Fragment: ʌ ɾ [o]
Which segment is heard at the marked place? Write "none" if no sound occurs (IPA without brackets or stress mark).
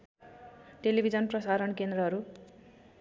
u